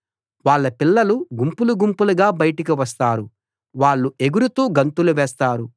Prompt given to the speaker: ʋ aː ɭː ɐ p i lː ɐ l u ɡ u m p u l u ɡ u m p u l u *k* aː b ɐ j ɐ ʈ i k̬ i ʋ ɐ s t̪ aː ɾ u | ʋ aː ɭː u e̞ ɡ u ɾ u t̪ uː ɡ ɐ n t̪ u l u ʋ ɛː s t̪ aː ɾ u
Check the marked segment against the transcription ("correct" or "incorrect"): incorrect